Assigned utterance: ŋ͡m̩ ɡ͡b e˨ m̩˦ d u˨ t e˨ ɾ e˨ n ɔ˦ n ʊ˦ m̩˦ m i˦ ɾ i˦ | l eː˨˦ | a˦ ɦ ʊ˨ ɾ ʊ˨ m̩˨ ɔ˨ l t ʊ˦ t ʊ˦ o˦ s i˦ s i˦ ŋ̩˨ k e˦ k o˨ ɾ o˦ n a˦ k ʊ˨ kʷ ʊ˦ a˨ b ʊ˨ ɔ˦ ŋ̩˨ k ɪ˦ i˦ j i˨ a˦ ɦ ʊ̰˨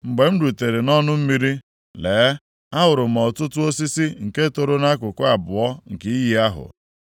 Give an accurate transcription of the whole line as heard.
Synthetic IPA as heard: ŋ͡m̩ ɡ͡b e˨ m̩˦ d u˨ t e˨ ɾ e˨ n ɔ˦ n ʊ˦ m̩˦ m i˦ ɾ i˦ | l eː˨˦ | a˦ ɦ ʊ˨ ɾ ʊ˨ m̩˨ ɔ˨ t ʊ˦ t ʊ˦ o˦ s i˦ s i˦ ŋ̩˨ k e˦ t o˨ ɾ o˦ n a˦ k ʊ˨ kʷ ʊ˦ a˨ b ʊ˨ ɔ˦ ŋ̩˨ k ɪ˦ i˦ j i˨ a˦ ɦ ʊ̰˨